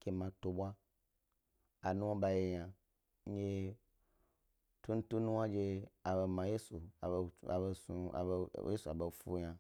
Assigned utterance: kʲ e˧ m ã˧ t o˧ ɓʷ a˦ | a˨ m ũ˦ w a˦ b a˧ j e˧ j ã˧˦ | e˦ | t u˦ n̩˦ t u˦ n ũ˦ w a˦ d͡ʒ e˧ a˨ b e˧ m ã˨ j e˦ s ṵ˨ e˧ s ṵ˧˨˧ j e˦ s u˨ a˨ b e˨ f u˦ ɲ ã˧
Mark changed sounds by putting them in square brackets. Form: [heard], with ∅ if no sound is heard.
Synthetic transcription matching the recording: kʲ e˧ m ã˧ t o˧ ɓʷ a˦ | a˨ [n] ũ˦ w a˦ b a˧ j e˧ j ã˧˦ | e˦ | t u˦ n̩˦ t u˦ n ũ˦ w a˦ d͡ʒ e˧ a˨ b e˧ m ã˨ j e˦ s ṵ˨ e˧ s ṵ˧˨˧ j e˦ s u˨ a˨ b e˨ f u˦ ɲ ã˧